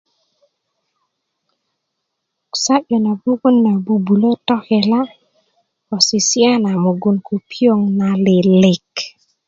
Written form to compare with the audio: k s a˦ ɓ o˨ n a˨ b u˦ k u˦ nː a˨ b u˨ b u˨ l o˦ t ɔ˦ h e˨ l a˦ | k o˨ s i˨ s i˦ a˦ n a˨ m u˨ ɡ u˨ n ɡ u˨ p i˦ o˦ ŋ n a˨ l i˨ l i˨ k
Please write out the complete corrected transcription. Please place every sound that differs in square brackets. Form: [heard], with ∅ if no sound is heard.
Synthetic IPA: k s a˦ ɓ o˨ n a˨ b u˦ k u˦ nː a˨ b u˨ b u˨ l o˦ t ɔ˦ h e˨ l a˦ | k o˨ s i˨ s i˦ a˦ n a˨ m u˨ ɡ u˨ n [k] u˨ p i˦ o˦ ŋ n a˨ l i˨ l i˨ k